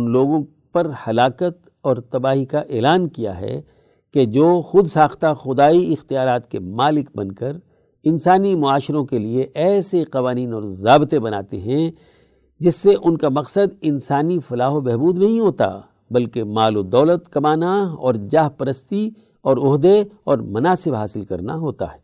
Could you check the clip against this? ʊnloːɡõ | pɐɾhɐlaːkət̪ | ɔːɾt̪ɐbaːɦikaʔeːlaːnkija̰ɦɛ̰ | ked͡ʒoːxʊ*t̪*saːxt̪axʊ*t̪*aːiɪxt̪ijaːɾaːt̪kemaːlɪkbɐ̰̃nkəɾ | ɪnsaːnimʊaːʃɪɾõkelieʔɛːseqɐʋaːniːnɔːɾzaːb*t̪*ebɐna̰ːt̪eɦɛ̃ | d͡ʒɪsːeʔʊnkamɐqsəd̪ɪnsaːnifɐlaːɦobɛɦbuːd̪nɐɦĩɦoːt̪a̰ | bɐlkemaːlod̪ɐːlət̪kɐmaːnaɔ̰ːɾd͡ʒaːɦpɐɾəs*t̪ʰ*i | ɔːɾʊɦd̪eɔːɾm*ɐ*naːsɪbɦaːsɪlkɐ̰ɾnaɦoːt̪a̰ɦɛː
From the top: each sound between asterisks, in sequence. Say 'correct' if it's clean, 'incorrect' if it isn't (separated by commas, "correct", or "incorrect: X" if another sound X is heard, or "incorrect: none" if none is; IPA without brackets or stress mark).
incorrect: d̪, incorrect: d̪, correct, incorrect: t̪, correct